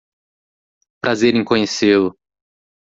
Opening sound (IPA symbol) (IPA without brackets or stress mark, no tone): p